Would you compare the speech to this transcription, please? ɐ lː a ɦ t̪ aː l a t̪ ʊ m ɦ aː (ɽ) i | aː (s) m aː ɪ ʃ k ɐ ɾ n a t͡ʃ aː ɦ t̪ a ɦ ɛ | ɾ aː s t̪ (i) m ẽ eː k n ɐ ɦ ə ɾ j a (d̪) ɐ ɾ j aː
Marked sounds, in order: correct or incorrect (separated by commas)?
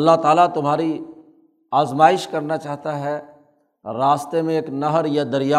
incorrect, incorrect, incorrect, correct